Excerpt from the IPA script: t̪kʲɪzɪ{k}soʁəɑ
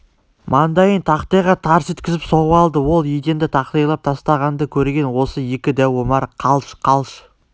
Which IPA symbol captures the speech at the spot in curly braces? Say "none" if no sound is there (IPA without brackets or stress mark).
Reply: p